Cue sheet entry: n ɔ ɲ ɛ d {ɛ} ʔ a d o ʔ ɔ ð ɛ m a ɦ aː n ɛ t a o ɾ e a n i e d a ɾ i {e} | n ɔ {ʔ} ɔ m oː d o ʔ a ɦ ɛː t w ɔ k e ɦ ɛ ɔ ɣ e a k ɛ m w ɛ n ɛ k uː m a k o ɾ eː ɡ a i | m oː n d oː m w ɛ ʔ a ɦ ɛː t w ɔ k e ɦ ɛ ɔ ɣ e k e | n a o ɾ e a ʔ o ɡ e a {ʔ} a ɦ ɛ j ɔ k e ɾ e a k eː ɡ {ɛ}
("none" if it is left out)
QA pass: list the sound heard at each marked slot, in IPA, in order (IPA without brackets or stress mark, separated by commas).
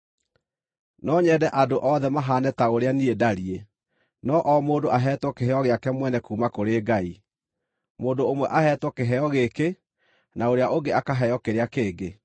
ɛ, e, ʔ, k, e